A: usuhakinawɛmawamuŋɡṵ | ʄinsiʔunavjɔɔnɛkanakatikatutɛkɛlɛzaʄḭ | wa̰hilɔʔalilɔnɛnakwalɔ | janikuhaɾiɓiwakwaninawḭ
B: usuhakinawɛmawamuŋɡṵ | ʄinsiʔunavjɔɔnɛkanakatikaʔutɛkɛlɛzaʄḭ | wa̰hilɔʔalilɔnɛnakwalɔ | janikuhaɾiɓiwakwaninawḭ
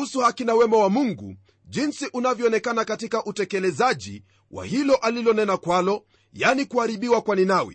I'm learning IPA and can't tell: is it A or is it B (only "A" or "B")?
B